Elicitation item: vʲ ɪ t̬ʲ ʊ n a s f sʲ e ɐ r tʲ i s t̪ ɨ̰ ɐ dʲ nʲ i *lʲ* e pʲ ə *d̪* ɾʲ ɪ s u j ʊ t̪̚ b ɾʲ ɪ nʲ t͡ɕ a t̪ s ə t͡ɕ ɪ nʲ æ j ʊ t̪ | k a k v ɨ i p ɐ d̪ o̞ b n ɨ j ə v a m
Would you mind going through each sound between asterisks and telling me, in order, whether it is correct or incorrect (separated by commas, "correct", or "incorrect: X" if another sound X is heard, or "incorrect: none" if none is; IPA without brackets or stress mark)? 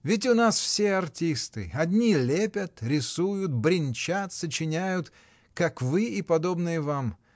correct, incorrect: t̪